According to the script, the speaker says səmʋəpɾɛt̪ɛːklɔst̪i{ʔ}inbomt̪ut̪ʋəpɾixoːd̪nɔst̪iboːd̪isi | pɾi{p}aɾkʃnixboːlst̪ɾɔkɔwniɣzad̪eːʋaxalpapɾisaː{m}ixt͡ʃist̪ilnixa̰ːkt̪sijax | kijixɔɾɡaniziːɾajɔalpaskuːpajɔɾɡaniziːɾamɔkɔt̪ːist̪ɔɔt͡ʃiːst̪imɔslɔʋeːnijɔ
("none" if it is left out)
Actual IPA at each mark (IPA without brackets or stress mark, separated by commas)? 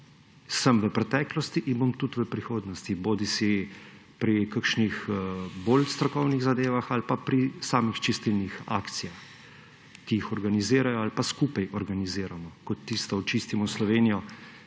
ʔ, k, m